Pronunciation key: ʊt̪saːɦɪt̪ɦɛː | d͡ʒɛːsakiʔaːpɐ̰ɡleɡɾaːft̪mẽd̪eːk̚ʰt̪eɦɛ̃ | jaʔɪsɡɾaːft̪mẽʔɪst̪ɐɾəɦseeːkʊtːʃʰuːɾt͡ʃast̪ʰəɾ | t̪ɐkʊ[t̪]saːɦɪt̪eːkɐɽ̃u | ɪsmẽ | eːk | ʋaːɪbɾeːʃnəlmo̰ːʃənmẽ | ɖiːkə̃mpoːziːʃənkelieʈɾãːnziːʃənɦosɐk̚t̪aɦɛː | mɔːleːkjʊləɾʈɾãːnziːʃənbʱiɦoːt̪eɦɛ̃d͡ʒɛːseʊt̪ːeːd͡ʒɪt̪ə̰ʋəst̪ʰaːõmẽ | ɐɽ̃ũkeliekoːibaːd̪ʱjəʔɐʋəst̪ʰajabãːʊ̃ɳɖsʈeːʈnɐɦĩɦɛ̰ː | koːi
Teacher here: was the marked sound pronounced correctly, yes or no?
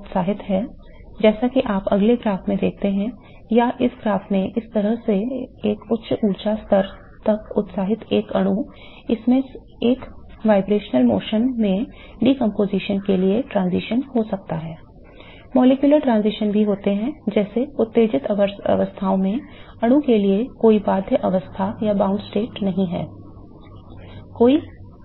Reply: yes